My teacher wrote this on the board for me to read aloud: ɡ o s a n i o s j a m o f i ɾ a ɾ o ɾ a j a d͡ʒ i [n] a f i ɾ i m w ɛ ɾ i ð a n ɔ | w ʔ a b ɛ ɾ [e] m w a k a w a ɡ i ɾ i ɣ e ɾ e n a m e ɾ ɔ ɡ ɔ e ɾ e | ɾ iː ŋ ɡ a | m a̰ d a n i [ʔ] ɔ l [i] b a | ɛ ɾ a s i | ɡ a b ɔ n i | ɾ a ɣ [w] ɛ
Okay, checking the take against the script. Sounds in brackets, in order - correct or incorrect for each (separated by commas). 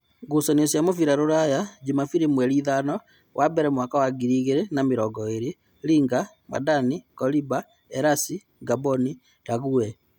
incorrect, incorrect, incorrect, correct, incorrect